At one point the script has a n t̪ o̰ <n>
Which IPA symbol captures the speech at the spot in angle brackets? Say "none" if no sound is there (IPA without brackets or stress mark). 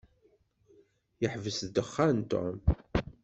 m